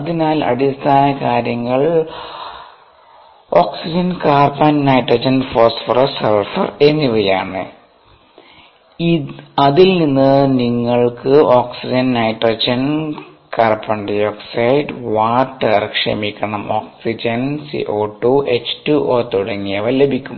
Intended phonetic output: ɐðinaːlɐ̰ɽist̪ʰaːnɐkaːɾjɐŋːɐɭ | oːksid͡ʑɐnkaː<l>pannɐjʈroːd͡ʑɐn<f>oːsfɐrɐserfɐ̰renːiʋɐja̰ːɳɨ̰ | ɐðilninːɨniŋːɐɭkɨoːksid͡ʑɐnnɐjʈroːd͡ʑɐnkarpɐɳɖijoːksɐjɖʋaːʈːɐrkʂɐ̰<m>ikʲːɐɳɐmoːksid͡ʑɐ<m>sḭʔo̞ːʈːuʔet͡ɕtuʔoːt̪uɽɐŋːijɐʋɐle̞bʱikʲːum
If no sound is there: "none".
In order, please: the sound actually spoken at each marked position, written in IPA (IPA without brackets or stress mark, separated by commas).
r, f, m, n